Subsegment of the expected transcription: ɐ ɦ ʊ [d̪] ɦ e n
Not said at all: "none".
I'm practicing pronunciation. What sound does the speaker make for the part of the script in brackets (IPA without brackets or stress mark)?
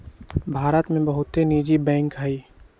t̪